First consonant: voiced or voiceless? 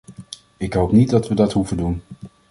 voiceless